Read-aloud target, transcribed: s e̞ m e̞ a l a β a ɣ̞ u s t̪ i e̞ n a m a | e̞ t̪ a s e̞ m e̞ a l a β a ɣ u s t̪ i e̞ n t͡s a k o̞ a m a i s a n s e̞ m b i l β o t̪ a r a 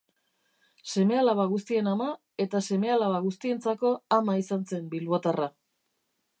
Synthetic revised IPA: s e̞ m e̞ a l a β a ɣ̞ u s t̪ i e̞ n a m a | e̞ t̪ a s e̞ m e̞ a l a β a ɣ u s t̪ i e̞ n t͡s a k o̞ a m a i s a n s e̞ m b i l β o t̪ a r a